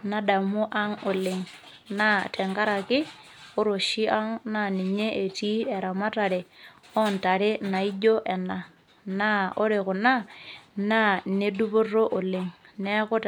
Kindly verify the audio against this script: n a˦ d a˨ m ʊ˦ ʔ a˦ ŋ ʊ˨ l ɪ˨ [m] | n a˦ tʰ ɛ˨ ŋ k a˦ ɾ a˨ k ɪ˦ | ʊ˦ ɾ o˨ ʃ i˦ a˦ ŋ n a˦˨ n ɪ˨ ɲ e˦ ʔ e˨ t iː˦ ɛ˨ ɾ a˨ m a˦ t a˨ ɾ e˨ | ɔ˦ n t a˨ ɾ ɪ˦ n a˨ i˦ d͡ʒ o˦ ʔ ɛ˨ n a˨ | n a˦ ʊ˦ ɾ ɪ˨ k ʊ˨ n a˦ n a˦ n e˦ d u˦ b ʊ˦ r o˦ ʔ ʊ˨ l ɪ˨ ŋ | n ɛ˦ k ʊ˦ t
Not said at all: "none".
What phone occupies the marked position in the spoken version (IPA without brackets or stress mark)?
ŋ